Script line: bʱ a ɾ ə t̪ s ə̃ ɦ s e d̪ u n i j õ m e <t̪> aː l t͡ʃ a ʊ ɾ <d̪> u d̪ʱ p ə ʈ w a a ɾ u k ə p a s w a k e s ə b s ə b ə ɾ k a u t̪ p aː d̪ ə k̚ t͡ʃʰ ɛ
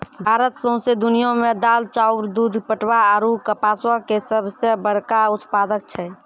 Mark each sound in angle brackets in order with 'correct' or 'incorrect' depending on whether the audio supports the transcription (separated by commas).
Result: incorrect, correct